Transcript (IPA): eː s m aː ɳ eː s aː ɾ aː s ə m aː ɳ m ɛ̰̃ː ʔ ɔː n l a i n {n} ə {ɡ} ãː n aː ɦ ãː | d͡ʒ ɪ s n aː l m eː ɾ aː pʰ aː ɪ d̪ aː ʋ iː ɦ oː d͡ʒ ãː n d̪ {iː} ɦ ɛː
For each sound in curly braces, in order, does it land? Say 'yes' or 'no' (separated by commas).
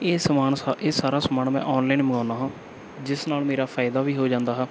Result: no, yes, no